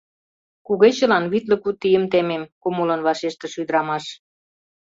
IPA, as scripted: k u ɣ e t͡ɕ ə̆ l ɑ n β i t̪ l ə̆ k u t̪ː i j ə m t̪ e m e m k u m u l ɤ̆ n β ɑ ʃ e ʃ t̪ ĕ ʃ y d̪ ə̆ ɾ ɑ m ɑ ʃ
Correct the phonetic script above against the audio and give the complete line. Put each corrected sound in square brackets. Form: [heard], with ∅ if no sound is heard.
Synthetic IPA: k u ɣ e t͡ɕ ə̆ l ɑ n β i t̪ l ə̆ k u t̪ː i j ə m t̪ e m e m k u m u l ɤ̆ n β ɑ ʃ e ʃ t̪ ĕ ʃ y d̪ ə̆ ɾ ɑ m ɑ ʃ